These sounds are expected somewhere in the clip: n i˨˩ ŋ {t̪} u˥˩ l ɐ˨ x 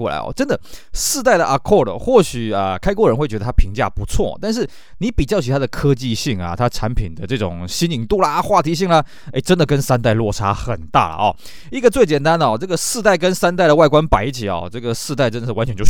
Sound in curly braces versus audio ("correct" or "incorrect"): correct